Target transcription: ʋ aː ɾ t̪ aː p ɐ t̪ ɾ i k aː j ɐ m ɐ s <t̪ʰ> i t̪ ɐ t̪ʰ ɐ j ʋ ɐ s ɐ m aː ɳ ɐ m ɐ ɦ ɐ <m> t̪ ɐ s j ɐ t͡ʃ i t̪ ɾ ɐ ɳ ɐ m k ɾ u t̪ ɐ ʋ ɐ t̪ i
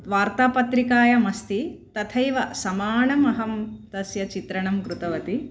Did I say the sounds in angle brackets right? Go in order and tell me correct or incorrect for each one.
incorrect: t̪, correct

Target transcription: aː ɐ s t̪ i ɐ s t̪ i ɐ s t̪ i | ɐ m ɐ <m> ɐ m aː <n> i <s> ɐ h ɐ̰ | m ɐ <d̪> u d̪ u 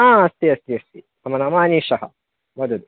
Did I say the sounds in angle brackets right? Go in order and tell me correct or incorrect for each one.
incorrect: n, correct, incorrect: ʃ, correct

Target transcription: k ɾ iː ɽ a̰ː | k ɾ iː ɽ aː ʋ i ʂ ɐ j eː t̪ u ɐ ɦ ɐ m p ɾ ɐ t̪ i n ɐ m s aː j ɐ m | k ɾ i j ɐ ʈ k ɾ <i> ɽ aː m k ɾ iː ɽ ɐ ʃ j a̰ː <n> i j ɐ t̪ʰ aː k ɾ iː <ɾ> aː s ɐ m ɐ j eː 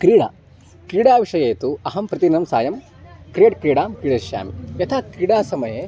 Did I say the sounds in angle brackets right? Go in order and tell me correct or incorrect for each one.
incorrect: iː, incorrect: m, incorrect: ɽ

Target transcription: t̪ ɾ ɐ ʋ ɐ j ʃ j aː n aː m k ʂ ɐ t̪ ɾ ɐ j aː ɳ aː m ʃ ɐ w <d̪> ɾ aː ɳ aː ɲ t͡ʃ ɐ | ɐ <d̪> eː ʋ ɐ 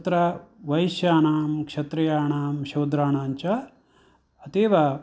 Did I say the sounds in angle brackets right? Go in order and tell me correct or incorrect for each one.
correct, incorrect: t̪

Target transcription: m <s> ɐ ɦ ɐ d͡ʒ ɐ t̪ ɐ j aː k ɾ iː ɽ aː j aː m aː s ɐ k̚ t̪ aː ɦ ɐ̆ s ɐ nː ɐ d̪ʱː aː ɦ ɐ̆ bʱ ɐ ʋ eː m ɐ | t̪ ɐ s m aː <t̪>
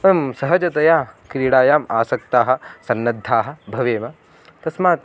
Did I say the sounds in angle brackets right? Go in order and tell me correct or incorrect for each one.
correct, correct

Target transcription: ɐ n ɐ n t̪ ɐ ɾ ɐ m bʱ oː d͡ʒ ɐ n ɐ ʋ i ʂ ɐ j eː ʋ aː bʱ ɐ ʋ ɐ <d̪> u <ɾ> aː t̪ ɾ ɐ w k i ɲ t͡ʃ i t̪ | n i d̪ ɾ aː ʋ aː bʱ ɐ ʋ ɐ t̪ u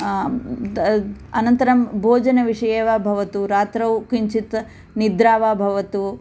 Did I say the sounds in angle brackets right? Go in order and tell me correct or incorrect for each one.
incorrect: t̪, correct

